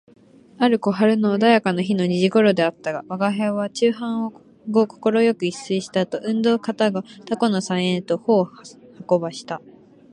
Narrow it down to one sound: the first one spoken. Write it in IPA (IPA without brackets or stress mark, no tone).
a